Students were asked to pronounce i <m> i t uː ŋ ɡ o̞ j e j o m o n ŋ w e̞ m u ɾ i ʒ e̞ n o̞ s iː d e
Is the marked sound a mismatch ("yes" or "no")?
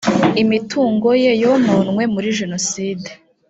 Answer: no